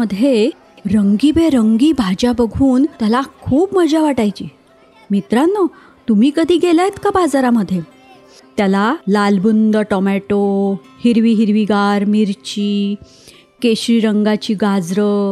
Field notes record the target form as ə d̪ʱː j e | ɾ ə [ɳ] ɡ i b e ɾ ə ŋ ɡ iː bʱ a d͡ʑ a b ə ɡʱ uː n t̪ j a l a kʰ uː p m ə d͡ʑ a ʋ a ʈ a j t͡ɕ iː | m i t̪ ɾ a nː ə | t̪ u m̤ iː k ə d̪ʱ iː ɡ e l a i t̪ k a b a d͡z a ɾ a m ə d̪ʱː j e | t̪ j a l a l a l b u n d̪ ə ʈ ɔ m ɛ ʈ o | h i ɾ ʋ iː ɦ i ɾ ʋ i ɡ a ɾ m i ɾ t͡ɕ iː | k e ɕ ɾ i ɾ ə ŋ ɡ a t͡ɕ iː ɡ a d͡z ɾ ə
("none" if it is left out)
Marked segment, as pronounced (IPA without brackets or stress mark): ŋ